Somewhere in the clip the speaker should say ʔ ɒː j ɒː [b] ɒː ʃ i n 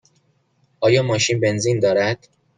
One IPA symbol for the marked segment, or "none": m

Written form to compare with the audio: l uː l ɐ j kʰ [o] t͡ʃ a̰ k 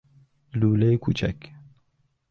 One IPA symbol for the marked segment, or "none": u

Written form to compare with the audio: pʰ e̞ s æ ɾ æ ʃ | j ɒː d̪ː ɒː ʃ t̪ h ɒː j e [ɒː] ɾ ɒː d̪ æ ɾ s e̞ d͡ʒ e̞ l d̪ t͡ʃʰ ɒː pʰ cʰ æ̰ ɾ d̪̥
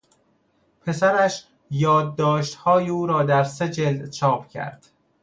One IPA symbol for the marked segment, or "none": uː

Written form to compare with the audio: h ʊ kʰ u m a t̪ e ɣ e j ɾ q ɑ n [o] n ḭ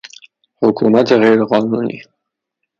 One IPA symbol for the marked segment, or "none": u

